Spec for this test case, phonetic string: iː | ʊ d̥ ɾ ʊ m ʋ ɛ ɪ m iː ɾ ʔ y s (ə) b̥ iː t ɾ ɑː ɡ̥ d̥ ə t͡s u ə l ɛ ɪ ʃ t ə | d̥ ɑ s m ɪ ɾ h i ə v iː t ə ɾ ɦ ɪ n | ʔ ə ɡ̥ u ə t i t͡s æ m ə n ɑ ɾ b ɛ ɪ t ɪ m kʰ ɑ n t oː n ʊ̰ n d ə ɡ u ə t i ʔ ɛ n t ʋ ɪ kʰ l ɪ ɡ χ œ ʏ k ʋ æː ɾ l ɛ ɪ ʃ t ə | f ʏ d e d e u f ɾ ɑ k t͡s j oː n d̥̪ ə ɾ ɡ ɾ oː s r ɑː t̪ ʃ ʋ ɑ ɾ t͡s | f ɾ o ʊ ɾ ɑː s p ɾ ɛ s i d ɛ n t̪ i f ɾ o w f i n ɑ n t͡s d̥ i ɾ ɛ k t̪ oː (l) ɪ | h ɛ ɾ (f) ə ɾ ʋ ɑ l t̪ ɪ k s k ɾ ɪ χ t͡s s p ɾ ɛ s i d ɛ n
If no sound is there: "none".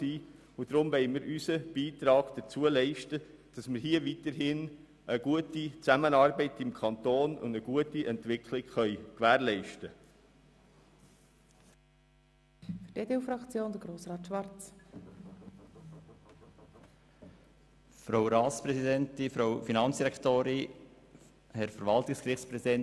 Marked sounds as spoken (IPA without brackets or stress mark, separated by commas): ə, ɾ, f